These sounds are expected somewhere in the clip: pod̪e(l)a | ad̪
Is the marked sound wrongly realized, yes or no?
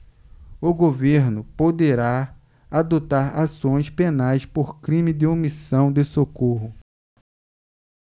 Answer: yes